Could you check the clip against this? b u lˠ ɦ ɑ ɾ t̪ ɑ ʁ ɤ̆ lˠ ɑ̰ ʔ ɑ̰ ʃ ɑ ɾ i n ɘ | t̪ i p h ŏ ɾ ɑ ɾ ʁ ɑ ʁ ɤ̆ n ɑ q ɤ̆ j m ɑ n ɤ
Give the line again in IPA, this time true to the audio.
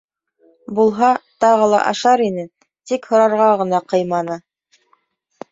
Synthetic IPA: b u lˠ ɦ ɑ t̪ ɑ ʁ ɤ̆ lˠ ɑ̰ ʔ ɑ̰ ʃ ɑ ɾ i n ɘ | t̪ i k h ŏ ɾ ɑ ɾ ʁ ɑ ʁ ɤ̆ n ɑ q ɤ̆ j m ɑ n ɤ